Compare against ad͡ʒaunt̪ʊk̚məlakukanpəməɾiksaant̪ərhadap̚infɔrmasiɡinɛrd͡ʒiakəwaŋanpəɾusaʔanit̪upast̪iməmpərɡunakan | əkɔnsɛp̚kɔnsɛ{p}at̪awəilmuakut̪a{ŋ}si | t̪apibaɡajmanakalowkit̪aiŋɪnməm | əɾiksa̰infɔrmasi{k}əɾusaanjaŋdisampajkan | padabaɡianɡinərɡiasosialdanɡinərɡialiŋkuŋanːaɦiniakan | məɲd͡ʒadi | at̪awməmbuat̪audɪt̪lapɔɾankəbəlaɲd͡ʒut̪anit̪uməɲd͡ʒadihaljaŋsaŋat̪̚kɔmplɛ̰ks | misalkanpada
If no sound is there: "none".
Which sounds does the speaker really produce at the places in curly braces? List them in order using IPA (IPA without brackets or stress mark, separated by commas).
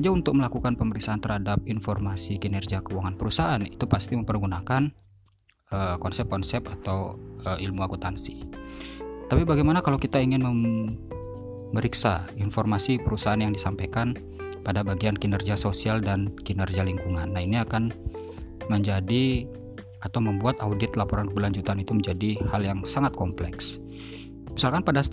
p, n, p